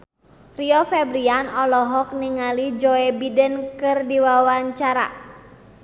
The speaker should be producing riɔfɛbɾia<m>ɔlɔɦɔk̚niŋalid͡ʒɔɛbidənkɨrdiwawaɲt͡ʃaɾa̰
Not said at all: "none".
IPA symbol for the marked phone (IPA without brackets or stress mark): n